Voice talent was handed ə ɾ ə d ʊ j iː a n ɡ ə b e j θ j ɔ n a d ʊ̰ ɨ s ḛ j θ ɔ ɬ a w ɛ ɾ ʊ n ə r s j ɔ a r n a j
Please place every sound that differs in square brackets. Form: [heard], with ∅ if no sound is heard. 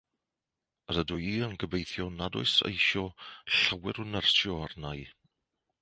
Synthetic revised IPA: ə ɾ ə d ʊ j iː [ə] n ɡ ə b e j θ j ɔ n a d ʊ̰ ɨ s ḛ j [ʃ] ɔ ɬ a w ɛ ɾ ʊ n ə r s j ɔ a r n a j